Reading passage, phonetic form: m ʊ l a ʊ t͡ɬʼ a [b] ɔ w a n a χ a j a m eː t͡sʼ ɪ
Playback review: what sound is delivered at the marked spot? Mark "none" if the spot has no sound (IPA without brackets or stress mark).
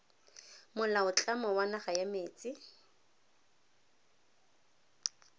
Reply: m